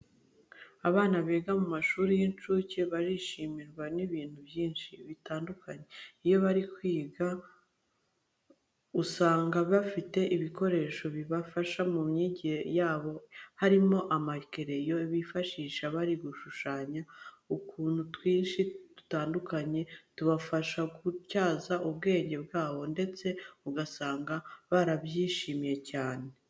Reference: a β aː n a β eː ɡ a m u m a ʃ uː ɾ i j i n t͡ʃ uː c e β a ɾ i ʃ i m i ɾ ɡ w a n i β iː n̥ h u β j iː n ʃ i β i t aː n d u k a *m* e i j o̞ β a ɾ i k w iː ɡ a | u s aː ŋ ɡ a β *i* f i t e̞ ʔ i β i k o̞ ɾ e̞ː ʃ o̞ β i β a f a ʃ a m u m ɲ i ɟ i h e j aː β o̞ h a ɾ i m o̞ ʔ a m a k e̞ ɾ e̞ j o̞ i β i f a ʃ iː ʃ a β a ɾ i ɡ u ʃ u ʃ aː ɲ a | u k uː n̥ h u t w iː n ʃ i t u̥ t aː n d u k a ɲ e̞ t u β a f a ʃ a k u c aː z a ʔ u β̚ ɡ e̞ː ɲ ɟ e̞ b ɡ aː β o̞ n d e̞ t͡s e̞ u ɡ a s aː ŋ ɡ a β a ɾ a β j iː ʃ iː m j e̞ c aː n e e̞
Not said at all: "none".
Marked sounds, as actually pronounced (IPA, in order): ɲ, a

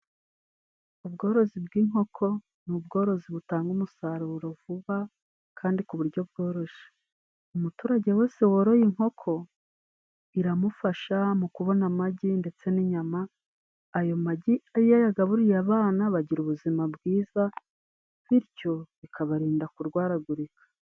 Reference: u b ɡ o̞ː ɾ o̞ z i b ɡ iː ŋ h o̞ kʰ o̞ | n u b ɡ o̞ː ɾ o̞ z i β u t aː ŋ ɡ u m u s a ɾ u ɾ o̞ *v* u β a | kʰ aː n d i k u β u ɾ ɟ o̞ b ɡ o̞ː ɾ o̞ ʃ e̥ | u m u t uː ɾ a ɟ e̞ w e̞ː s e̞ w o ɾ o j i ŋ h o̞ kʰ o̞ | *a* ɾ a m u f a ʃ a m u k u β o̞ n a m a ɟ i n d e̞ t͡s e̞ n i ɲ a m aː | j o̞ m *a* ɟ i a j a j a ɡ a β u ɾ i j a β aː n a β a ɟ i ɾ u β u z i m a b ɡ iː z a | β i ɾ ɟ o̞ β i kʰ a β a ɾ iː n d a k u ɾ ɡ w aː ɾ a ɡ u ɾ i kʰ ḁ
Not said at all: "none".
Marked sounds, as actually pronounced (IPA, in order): v, i, a

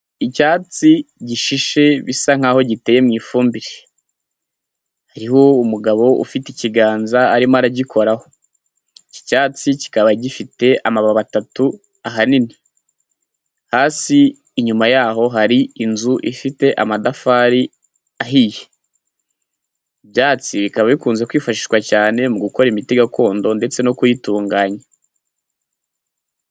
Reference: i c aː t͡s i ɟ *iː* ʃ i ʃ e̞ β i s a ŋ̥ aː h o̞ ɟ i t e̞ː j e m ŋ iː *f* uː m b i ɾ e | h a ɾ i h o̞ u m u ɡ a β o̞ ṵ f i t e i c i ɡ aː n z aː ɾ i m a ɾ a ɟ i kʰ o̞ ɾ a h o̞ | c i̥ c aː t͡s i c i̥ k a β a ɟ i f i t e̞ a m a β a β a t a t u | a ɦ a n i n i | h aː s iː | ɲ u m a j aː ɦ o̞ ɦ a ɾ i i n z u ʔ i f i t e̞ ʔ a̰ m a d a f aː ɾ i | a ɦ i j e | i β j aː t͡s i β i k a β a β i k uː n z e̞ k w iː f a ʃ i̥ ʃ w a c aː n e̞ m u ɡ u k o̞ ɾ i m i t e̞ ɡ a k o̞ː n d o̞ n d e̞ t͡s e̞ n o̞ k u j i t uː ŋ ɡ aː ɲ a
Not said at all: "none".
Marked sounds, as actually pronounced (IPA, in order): i, f

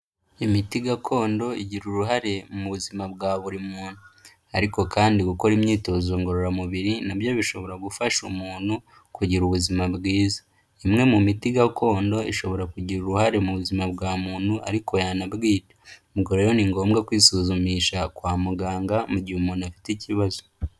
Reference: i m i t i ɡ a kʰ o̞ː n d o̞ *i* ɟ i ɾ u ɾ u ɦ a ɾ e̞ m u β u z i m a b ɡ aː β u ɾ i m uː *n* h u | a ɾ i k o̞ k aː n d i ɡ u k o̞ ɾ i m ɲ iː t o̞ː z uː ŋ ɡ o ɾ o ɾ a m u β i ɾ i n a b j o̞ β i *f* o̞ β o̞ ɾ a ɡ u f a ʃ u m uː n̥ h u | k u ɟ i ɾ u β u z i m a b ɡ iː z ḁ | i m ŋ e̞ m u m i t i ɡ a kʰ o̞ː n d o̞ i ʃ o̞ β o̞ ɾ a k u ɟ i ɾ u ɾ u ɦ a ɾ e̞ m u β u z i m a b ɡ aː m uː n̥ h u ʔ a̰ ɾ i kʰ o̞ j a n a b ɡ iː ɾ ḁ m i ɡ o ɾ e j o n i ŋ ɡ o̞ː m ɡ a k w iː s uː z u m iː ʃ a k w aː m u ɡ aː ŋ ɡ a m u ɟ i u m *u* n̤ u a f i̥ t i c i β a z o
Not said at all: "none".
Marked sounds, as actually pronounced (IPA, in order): i, n, ʃ, uː

